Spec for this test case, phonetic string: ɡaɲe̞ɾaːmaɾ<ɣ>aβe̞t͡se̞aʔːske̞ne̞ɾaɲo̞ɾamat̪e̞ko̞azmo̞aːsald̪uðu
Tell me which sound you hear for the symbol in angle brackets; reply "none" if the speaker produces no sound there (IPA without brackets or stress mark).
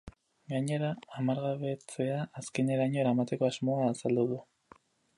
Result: ɣ